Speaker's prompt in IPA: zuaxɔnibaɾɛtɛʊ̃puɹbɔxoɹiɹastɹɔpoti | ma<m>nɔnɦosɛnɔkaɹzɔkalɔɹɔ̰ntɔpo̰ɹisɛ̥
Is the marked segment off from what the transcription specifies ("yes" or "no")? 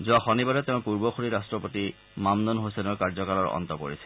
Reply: no